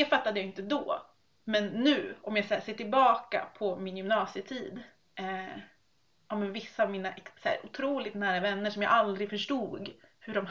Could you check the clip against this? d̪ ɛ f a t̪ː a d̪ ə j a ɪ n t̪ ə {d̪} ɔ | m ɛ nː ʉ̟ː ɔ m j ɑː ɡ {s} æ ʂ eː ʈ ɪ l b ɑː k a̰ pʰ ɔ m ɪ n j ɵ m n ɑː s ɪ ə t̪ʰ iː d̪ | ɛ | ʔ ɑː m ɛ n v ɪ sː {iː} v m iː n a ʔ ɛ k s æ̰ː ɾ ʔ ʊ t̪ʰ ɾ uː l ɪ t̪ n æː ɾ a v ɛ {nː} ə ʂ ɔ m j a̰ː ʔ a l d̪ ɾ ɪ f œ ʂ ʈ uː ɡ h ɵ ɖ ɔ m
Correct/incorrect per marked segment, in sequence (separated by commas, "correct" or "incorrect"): correct, correct, incorrect, correct